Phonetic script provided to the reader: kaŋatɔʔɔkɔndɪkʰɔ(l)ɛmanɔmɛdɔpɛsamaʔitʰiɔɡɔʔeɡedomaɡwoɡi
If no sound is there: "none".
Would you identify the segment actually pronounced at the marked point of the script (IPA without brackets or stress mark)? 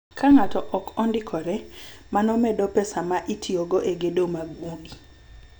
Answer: ɾ